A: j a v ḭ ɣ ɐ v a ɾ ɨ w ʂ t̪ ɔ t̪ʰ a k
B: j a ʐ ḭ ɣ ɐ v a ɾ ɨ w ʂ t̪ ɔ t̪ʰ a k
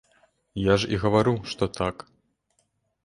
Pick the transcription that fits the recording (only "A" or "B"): B